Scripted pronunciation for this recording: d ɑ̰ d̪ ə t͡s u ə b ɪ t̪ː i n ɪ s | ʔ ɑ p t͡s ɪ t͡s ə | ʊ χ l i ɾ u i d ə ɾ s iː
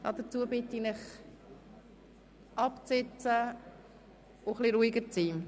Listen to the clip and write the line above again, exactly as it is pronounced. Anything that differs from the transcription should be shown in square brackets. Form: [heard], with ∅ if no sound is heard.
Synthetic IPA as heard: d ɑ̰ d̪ ə t͡s u ə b ɪ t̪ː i n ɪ [χ] | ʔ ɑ p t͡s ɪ t͡s ə | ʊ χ l i ɾ u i [ɡ] ə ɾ [t͡s] iː

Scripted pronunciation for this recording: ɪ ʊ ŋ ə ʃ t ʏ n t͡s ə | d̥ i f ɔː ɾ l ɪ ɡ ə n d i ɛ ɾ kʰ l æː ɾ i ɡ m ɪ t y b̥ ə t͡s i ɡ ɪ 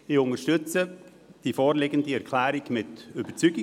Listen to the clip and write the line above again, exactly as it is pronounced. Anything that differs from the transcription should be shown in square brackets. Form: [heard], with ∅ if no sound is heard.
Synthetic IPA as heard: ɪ ʊ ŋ ə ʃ t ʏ [∅] t͡s ə | d̥ i f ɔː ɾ l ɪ ɡ ə n d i ɛ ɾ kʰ l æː ɾ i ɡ m ɪ t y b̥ ə t͡s [y] ɡ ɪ

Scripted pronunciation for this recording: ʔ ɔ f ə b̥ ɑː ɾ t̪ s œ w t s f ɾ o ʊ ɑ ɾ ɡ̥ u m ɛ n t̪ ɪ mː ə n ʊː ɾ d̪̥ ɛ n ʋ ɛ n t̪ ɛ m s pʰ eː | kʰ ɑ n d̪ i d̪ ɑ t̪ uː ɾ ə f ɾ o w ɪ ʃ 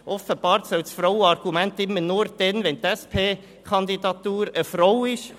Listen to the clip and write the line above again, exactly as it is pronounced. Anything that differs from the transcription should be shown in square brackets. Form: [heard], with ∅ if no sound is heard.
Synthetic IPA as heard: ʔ ɔ f ə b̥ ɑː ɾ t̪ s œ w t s f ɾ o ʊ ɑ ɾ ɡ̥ u m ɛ n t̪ ɪ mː ə n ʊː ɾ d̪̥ ɛ n ʋ ɛ n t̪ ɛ [∅] s pʰ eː | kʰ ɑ n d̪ i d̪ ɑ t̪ uː ɾ ə f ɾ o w ɪ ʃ

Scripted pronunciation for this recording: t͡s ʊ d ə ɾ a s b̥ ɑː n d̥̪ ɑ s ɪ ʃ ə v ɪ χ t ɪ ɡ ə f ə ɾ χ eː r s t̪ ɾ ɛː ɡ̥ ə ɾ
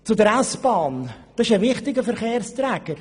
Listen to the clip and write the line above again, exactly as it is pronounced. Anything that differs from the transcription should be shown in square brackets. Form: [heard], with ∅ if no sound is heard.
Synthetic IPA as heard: t͡s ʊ d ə ɾ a s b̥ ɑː n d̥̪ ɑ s ɪ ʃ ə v ɪ χ t ɪ ɡ ə f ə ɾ χ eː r s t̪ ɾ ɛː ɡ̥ ə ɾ

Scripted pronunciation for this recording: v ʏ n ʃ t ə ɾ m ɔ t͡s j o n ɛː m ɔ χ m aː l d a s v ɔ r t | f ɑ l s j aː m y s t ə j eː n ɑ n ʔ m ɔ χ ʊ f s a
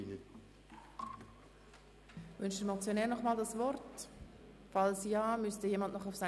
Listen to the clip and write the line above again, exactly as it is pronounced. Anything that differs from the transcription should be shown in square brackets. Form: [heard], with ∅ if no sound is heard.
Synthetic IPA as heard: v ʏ n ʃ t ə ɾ m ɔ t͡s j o n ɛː [n] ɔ χ m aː l d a s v ɔ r t | f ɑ l s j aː m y s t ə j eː [m] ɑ n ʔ [n] ɔ χ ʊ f s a

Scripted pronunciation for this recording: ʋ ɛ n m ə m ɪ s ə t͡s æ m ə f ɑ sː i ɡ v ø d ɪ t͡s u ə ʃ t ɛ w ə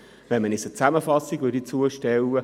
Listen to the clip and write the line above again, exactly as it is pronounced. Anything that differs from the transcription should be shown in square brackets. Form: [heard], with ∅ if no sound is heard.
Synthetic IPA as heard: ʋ ɛ n m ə [n] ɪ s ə t͡s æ m ə f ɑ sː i ɡ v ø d [i] t͡s u ə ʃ t ɛ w ə

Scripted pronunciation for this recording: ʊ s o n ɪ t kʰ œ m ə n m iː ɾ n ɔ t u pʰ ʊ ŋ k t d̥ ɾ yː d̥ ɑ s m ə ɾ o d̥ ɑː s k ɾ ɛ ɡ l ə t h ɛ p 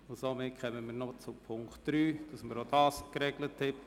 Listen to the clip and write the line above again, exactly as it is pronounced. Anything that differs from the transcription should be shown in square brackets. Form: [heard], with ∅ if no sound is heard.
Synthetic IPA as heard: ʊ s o [m] ɪ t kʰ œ m ə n m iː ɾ n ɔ [t͡s] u pʰ ʊ ŋ k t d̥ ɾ yː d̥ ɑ s m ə ɾ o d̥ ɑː s k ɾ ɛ ɡ l ə t h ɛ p

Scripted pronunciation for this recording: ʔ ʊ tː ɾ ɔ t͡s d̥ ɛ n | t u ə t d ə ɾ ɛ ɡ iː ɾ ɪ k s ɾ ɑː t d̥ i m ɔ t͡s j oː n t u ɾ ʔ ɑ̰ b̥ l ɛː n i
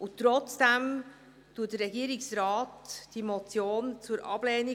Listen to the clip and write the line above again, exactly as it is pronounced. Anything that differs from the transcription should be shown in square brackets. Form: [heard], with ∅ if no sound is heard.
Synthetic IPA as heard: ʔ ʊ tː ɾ ɔ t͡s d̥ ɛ [m] | t u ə t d ə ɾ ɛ ɡ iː ɾ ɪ k s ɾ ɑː t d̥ i m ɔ t͡s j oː n [t͡s] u ɾ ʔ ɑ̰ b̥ l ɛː n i

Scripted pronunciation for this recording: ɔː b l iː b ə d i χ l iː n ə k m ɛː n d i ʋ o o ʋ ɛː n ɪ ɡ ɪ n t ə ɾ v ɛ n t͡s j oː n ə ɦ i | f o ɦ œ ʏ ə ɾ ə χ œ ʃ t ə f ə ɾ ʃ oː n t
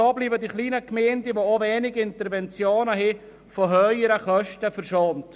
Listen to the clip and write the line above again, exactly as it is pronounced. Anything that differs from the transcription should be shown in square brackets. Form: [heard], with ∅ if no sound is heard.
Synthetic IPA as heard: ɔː b l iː b ə d i χ l iː n ə k m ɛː n d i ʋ o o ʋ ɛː n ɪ ɡ ɪ n t ə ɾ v ɛ n t͡s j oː n ə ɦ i | f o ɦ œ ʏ ə ɾ ə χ œ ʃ t ə f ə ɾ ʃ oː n t

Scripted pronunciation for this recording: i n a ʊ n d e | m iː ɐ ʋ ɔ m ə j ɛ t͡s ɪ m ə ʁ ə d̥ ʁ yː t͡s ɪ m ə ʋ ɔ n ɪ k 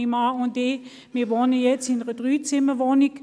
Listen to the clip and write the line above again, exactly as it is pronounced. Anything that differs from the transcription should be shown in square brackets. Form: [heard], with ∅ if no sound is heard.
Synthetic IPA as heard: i [m] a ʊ n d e | m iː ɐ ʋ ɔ [n] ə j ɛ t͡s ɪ [n] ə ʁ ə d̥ ʁ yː t͡s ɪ m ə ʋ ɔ n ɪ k

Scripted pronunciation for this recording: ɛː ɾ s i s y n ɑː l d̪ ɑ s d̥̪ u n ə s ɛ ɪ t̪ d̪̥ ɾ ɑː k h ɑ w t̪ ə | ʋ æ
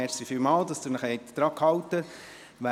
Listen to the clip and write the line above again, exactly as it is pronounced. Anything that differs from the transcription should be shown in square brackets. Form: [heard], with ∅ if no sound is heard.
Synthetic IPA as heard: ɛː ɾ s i [f] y [m] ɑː l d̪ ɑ s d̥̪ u n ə [χ] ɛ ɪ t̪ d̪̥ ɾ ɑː k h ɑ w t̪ ə | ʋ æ

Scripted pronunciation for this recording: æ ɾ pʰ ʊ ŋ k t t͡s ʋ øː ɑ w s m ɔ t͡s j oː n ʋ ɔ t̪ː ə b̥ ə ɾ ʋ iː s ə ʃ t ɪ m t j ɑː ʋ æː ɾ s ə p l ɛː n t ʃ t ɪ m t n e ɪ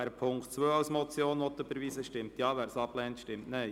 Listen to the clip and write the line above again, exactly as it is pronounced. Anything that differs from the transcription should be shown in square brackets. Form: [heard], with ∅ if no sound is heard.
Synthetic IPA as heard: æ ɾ pʰ ʊ ŋ k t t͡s ʋ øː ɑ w s m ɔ t͡s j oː n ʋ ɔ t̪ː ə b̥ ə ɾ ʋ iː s ə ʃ t ɪ m t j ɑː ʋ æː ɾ s [ɑ] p l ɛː n t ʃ t ɪ m t n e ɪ

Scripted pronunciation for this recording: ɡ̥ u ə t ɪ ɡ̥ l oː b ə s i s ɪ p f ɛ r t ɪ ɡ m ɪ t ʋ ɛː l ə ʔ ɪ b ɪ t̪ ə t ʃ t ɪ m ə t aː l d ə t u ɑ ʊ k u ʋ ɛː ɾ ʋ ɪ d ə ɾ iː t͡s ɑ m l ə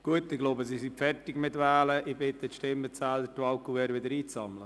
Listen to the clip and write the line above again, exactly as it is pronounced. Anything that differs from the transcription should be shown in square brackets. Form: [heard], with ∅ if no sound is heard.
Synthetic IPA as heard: ɡ̥ u ə t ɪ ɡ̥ l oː b ə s i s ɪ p f ɛ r t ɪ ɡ m ɪ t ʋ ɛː l ə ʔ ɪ b ɪ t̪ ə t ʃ t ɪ m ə [t͡s] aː l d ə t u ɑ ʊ k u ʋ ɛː ɾ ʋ ɪ d ə ɾ iː t͡s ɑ m l ə

